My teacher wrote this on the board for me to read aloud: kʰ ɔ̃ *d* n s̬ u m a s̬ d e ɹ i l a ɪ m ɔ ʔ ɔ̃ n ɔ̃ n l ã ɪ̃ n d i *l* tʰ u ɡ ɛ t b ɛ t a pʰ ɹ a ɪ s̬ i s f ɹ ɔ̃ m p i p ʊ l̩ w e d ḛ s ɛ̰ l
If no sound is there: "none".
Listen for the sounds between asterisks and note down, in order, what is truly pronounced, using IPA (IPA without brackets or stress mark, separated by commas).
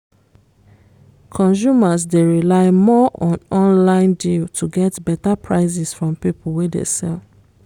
none, l